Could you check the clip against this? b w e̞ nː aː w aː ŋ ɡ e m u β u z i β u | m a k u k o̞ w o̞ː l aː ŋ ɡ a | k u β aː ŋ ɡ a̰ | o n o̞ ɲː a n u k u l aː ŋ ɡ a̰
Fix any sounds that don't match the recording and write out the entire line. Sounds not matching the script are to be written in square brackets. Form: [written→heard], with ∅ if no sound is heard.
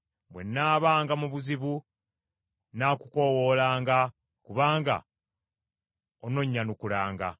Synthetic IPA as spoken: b w e̞ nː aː [w→β] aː ŋ ɡ [e→a] m u β u z i β u | [m→n] a k u k o̞ w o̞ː l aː ŋ ɡ a | k u β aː ŋ ɡ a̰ | o n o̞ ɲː a n u k u l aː ŋ ɡ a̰